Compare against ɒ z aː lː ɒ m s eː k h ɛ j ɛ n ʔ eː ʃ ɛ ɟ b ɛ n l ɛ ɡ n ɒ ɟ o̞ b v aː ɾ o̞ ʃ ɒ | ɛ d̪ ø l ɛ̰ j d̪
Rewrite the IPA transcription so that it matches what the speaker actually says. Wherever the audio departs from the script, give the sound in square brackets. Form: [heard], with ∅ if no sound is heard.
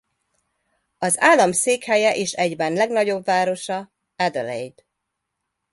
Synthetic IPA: ɒ z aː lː ɒ m s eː k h ɛ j ɛ [∅] ʔ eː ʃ ɛ ɟ b ɛ n l ɛ ɡ n ɒ ɟ o̞ b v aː ɾ o̞ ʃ ɒ | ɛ d̪ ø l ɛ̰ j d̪